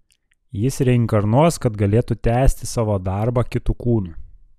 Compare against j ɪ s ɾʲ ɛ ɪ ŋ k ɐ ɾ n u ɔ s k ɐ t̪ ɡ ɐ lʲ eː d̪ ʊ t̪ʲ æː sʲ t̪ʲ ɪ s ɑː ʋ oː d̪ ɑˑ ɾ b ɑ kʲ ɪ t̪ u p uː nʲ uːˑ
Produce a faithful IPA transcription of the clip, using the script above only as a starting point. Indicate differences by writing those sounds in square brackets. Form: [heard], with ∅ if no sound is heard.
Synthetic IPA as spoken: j ɪ s ɾʲ ɛ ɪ ŋ k ɐ ɾ n u ɔ s k ɐ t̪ ɡ ɐ lʲ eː [t̪] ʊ t̪ʲ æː sʲ t̪ʲ ɪ s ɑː ʋ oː d̪ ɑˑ ɾ b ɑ kʲ ɪ t̪ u [k] uː nʲ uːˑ